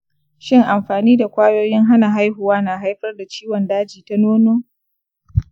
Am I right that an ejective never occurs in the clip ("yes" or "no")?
yes